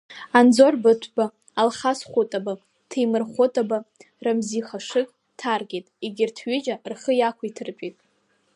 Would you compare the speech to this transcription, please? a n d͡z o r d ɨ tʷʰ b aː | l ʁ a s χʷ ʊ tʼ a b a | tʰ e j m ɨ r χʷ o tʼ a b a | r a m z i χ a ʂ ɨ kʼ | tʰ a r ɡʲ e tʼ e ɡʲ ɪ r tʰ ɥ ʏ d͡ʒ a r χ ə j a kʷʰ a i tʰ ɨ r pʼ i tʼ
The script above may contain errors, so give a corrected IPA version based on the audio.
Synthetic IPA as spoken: a n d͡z o r b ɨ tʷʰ b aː | l χ a s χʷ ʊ tʼ a b a | tʰ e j m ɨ r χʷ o tʼ a b a | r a m z i χ a ʂ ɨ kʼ | tʰ a r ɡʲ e tʼ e ɡʲ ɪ r tʰ ɥ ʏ d͡ʒ a r χ ə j a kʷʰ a i tʰ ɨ r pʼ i tʼ